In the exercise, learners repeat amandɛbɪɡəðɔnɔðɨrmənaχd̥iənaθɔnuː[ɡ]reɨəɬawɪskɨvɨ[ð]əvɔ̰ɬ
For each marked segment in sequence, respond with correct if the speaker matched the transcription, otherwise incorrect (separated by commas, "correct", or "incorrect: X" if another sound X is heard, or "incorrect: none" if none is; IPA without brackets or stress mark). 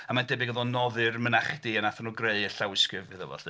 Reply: correct, correct